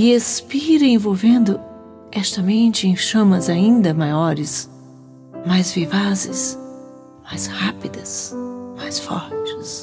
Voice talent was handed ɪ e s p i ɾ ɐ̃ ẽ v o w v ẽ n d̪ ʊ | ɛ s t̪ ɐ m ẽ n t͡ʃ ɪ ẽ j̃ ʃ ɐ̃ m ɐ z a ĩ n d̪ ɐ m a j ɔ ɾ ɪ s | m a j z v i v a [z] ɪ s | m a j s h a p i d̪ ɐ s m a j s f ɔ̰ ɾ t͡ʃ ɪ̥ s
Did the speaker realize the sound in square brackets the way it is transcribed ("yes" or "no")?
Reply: yes